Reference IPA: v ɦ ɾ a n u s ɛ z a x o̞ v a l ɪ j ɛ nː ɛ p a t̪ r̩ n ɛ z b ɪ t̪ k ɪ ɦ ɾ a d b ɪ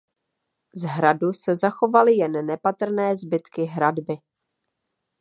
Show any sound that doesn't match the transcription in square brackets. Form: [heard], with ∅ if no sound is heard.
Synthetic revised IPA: [z] ɦ ɾ a [d] u s ɛ z a x o̞ v a l ɪ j ɛ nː ɛ p a t̪ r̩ n [ɛː] z b ɪ t̪ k ɪ ɦ ɾ a d b ɪ

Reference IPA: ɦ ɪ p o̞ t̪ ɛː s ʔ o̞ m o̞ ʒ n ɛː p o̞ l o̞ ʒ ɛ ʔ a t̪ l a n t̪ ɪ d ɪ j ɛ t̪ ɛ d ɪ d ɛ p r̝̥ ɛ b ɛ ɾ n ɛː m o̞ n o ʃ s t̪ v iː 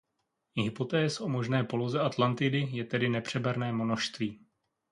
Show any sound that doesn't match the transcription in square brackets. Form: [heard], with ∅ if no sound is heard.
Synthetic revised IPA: ɦ ɪ p o̞ t̪ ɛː s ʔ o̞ m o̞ ʒ n ɛː p o̞ l o̞ [z] ɛ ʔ a t̪ l a n t̪ ɪ d ɪ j ɛ t̪ ɛ d ɪ [n] ɛ p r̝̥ ɛ b ɛ ɾ n ɛː m o̞ n o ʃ s t̪ v iː

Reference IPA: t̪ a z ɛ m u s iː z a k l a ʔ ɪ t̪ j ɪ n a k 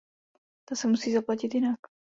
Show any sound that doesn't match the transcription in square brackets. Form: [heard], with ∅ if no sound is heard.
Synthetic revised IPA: t̪ a [s] ɛ m u s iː z a [p] l a [c] ɪ t̪ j ɪ n a k

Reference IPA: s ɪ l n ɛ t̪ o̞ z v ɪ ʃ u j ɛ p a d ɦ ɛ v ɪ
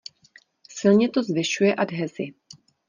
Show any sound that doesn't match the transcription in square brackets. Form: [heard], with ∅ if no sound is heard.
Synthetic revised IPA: s ɪ l [ɲ] ɛ t̪ o̞ z v ɪ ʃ u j ɛ [ʔ] a d ɦ ɛ [z] ɪ

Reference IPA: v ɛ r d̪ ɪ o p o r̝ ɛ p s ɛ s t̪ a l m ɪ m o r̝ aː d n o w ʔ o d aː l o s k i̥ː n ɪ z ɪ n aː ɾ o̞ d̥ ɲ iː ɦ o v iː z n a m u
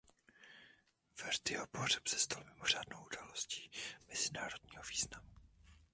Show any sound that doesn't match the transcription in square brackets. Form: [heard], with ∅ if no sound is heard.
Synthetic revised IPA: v ɛ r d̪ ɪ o p o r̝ ɛ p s ɛ s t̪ a l m ɪ m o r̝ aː d n o w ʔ [u] d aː l o s [c] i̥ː [m] ɪ z ɪ n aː ɾ o̞ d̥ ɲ iː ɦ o v iː z n a m u

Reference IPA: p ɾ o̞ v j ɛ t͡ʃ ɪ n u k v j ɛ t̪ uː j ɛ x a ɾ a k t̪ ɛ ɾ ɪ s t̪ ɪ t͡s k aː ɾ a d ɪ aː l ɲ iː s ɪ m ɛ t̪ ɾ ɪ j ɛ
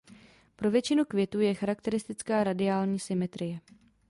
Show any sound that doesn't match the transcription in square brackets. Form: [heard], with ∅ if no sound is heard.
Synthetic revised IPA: p ɾ o̞ v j ɛ t͡ʃ ɪ n u k v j ɛ t̪ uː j ɛ x a ɾ a k t̪ ɛ ɾ ɪ s t̪ ɪ t͡s k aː ɾ a d ɪ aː l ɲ iː s ɪ m ɛ t̪ ɾ ɪ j ɛ

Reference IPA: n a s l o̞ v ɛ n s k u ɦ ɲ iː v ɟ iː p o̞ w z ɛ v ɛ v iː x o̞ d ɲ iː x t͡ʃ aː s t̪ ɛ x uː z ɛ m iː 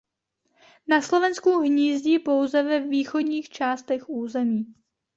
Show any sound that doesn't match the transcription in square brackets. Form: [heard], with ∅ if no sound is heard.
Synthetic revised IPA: n a s l o̞ v ɛ n s k u ɦ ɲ iː [z] ɟ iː p o̞ w z ɛ v ɛ v iː x o̞ d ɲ iː x t͡ʃ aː s t̪ ɛ x uː z ɛ m iː

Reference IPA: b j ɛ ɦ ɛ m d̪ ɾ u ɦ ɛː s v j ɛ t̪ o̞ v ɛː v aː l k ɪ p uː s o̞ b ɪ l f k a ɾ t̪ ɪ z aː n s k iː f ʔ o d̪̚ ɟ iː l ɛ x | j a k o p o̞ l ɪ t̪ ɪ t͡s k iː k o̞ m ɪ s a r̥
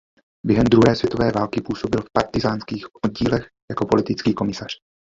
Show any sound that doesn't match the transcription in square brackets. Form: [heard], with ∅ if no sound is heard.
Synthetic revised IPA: b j ɛ ɦ ɛ m d̪ ɾ u ɦ ɛː s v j ɛ t̪ o̞ v ɛː v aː l k ɪ p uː s o̞ b ɪ l f [p] a ɾ t̪ ɪ z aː n s k iː [x] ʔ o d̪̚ ɟ iː l ɛ x | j a k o p o̞ l ɪ t̪ ɪ t͡s k iː k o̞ m ɪ s a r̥

